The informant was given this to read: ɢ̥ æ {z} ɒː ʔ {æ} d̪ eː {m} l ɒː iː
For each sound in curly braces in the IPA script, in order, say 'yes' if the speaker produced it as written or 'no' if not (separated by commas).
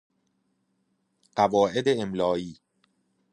no, no, yes